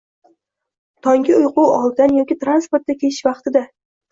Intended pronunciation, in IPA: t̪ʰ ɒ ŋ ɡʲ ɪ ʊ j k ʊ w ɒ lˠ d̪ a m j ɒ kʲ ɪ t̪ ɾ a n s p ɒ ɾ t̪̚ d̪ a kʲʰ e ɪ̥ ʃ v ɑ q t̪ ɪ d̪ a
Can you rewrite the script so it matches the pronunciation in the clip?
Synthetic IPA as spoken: t̪ʰ ɒ ŋ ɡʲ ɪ ʊ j q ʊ w ɒ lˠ d̪ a n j ɒ kʲ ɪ t̪ ɾ a n s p o ɾ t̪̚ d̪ a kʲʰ e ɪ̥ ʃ v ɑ q t̪ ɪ d̪ a